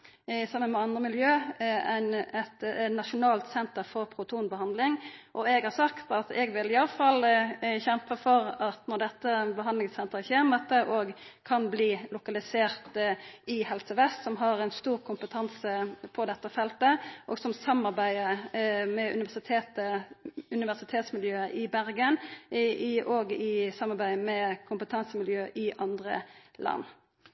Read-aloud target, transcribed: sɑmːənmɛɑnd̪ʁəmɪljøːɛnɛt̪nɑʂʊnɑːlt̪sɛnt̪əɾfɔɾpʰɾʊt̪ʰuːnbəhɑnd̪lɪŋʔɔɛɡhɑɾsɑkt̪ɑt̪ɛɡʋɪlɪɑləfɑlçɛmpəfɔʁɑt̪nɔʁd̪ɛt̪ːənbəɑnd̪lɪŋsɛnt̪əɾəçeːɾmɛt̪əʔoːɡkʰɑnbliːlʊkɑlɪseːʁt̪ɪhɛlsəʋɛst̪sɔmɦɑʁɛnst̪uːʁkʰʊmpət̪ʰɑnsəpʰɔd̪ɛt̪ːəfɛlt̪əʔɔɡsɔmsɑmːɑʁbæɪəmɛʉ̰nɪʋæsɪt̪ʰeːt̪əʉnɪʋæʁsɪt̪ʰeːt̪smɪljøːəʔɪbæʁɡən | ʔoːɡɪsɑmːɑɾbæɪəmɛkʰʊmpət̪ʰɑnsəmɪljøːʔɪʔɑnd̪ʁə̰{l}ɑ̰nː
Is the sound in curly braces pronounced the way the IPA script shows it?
yes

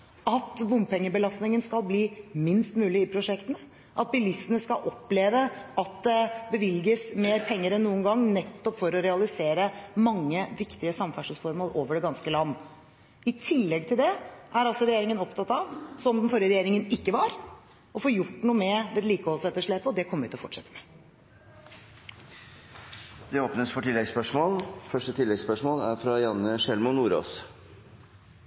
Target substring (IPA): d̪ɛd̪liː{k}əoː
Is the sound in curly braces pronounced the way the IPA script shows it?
yes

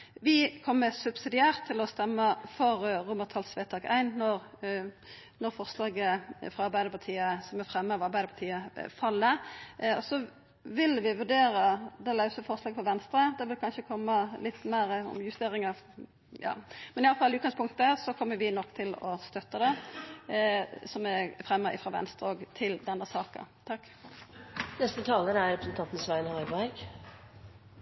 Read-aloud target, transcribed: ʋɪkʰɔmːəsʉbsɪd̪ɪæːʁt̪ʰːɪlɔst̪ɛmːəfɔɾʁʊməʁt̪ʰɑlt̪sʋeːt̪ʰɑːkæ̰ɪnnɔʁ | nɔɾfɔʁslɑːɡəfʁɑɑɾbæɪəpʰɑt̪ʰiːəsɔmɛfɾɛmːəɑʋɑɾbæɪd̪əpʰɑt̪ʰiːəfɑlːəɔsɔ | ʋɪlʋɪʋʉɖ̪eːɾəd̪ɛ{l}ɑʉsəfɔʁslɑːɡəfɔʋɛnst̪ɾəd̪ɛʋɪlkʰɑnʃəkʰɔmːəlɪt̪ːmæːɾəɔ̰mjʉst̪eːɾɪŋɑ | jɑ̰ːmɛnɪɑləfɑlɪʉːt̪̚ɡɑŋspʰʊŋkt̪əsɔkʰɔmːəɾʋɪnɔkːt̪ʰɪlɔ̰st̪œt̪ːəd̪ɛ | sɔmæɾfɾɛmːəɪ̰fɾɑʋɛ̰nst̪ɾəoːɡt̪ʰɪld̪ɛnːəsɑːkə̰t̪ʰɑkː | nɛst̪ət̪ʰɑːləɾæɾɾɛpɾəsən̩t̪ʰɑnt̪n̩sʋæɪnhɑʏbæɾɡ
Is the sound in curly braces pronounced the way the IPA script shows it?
yes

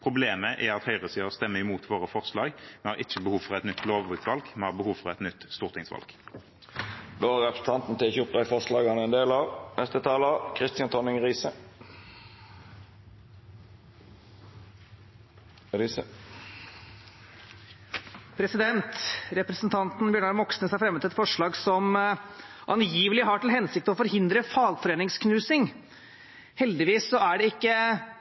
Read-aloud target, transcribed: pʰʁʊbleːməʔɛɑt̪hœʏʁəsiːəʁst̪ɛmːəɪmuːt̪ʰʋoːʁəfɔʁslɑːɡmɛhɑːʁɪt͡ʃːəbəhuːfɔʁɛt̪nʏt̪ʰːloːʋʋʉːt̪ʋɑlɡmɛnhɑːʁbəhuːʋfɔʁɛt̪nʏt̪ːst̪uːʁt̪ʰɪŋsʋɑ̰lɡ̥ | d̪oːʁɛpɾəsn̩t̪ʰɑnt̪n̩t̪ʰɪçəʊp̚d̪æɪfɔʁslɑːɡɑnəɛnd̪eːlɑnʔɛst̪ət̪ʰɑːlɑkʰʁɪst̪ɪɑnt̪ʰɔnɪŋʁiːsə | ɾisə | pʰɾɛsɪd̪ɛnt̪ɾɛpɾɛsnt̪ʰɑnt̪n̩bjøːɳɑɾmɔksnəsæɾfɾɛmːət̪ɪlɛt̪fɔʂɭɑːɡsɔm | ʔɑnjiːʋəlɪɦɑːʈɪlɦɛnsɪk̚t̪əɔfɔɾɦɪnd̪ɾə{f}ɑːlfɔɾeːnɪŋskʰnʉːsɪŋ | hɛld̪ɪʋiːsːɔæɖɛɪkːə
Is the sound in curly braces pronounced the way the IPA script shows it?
yes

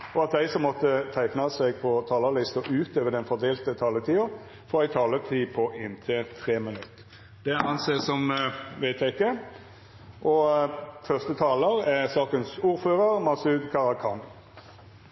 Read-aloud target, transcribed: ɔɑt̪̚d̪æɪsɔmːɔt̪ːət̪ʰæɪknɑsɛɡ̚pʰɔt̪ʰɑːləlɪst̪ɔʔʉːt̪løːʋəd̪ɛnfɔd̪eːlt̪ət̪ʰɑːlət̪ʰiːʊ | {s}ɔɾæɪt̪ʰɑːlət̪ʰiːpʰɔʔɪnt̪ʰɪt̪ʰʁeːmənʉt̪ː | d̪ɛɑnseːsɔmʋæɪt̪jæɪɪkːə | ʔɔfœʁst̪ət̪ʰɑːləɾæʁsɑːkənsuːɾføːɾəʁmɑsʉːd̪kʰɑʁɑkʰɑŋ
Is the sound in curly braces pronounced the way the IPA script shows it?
no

